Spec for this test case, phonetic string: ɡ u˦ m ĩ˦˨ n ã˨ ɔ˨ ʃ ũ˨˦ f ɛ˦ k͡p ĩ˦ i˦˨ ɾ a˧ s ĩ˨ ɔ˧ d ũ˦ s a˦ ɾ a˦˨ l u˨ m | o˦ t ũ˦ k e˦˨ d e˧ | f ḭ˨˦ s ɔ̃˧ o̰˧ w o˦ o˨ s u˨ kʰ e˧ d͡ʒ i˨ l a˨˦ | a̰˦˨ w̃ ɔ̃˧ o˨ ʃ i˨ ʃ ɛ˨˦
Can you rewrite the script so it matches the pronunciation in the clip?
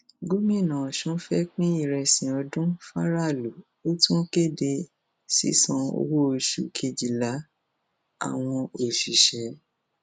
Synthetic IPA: ɡ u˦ m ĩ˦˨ n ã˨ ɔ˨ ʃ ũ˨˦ f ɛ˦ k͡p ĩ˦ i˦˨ ɾ ɛ˧ s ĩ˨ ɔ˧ d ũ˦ f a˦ ɾ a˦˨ l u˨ | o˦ t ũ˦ k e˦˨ d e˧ | s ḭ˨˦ s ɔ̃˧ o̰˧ w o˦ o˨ ʃ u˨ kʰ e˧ d͡ʒ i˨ l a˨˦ | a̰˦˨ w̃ ɔ̃˧ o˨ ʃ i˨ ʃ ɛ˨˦

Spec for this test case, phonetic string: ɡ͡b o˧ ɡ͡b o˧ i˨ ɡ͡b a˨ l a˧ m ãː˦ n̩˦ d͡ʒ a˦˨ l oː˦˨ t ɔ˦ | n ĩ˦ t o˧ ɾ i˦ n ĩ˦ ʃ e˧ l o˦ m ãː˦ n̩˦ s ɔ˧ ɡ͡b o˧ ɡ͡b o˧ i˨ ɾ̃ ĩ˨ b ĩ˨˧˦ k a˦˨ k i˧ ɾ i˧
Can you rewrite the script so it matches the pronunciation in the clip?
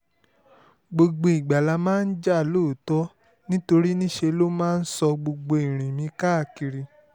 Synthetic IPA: ɡ͡b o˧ ɡ͡b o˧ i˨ ɡ͡b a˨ l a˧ m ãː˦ n̩˦ d͡ʒ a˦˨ l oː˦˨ t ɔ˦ | n ĩ˦ t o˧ ɾ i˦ n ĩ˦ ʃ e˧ l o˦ m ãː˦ n̩˦ s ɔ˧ ɡ͡b o˧ ɡ͡b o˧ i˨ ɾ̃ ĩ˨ m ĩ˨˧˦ k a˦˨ k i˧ ɾ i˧

